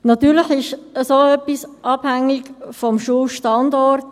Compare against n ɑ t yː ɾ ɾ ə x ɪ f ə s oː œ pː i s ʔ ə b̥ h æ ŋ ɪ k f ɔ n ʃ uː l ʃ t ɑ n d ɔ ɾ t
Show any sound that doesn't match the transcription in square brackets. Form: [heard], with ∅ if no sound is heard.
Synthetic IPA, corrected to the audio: n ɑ t yː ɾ [l] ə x ɪ [ʃ] ə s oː œ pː i s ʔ [ɑ] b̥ h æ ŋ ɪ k f ɔ [m] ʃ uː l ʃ t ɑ n d ɔ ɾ t